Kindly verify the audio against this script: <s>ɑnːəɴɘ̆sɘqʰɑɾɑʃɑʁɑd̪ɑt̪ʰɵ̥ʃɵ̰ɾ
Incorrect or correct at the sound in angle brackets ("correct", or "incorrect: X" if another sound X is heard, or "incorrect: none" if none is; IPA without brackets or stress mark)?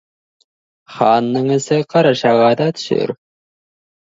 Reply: incorrect: χ